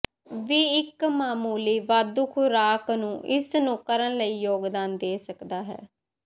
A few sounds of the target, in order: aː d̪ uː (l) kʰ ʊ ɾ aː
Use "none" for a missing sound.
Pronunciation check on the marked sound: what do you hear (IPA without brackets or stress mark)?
none